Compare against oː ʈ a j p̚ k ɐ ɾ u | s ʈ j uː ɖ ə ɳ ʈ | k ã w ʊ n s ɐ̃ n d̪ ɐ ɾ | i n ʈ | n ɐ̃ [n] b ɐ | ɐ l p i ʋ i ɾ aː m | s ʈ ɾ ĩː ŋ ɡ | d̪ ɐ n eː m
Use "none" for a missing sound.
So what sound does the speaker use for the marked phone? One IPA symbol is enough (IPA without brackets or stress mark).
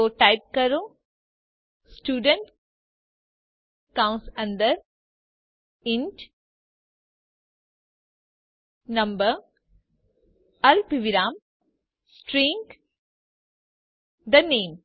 m